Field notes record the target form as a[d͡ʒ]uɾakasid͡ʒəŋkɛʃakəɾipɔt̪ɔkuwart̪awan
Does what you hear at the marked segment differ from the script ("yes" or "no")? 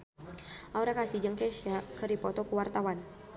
yes